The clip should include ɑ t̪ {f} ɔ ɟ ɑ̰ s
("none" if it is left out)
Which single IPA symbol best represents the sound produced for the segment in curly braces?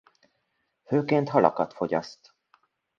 f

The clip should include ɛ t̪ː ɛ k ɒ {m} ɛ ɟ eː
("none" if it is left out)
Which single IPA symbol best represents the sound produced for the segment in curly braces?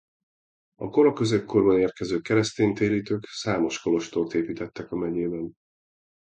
m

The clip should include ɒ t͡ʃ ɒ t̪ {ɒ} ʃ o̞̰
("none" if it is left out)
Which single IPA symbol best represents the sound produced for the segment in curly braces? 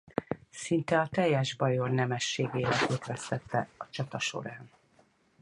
ɒ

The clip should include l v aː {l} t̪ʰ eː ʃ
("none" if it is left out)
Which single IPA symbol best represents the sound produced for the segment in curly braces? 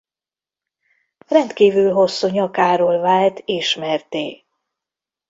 l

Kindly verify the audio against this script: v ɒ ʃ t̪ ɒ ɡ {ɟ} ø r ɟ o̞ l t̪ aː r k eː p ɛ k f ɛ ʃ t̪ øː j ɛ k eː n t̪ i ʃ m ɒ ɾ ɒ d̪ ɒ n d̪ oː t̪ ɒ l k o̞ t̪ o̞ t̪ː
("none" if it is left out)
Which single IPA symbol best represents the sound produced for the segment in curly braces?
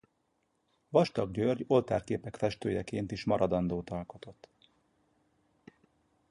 ɟ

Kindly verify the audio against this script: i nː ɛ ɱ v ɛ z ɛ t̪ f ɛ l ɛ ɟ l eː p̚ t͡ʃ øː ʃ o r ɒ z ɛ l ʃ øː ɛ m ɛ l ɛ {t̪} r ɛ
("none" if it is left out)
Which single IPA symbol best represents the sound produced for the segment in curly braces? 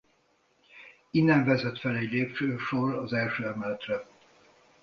t̪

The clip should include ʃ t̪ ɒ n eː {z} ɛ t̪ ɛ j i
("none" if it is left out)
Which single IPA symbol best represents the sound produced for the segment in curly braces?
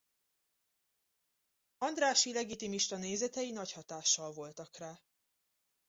z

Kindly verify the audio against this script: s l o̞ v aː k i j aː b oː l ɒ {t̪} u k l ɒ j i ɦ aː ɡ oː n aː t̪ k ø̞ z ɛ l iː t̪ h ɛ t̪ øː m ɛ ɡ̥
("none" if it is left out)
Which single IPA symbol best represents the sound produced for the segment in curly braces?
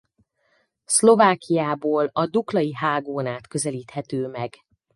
d̪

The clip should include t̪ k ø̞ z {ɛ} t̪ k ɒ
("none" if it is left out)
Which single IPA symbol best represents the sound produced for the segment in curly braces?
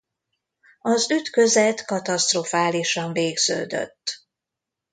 ɛ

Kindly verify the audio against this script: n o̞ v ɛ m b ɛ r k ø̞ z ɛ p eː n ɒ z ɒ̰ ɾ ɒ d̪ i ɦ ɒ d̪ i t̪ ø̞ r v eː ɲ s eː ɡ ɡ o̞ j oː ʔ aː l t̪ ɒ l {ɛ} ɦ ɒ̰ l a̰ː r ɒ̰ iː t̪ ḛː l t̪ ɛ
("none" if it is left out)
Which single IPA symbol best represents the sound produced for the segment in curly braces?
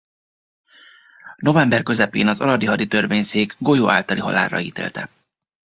i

